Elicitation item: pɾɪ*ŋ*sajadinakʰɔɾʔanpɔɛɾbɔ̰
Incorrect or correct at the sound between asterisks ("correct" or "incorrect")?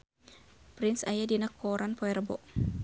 incorrect